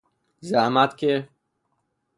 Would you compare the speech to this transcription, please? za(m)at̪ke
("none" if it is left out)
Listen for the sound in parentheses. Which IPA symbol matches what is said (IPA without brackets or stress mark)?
m